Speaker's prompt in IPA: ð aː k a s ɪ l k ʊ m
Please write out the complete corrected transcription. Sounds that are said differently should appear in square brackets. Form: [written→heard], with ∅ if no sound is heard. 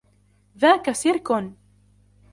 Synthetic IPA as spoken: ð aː k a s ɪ [l→ɾ] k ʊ [m→n]